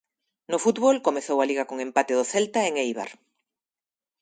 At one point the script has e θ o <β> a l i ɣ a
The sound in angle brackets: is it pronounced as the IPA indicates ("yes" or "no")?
no